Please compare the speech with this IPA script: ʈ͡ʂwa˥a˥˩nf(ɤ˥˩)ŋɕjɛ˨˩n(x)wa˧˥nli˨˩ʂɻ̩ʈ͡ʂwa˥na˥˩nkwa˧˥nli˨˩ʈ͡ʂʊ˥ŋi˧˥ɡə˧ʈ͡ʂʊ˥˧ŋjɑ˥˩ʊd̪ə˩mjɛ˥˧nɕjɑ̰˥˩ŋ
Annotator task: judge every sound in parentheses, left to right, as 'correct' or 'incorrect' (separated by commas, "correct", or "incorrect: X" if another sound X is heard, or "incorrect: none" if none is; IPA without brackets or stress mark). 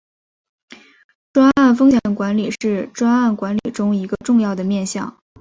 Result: incorrect: ɤ˥, incorrect: k